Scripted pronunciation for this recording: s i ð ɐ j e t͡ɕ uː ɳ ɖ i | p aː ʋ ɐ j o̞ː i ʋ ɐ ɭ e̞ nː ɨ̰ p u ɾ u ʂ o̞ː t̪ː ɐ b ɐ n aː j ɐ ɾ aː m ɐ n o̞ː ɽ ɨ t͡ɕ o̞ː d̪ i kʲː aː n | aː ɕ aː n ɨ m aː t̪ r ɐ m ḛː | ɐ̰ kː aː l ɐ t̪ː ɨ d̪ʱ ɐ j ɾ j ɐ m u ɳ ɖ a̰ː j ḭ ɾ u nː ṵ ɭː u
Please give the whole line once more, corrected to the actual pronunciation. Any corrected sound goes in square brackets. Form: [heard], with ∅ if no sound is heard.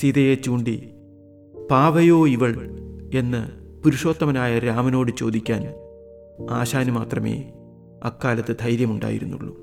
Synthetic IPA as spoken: s i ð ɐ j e t͡ɕ uː ɳ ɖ i | p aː ʋ ɐ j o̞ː i ʋ ɐ ɭ e̞ nː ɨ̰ p u ɾ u ʂ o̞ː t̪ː ɐ [m] ɐ n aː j ɐ ɾ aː m ɐ n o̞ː ɽ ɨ t͡ɕ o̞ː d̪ i kʲː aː n | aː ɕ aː n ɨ m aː t̪ r ɐ m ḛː | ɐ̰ kː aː l ɐ t̪ː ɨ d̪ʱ ɐ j ɾ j ɐ m u ɳ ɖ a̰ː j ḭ ɾ u nː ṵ ɭː u